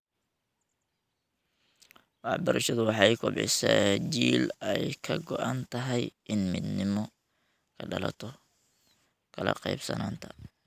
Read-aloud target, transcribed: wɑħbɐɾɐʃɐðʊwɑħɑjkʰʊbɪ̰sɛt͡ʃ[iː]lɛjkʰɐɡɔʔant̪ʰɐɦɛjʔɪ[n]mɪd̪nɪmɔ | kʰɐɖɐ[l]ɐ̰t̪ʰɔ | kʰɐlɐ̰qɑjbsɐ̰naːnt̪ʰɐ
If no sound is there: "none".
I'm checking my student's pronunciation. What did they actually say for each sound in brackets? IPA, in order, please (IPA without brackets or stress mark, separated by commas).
iː, n, l